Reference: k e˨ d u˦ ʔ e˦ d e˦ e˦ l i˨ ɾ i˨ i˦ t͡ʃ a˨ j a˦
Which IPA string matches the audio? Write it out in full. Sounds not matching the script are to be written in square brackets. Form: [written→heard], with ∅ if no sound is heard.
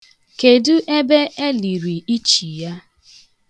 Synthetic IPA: k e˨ d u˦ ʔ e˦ [d→b] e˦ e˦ l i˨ ɾ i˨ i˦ t͡ʃ [a˨→i˨] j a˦